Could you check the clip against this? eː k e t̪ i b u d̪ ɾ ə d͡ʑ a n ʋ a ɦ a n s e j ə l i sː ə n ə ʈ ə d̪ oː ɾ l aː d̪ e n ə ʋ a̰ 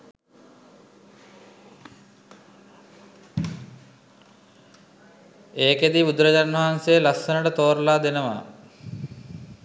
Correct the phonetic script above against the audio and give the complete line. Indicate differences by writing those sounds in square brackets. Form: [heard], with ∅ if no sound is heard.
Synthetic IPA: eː k e [d̪] i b u d̪ ɾ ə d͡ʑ a n ʋ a ɦ a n s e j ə l [a] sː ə n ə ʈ ə [t̪] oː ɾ l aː d̪ e n ə ʋ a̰